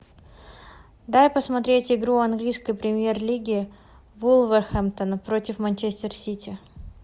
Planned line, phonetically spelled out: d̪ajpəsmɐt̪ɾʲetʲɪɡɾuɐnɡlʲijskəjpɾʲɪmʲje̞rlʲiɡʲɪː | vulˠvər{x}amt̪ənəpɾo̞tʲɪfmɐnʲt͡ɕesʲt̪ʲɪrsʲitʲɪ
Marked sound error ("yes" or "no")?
no